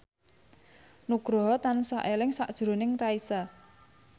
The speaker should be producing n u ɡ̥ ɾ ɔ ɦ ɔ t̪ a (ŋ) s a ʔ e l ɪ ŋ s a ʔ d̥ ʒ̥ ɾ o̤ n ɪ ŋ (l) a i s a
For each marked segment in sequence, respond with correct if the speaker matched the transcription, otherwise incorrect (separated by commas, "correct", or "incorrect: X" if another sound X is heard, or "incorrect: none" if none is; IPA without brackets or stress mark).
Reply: incorrect: n, incorrect: r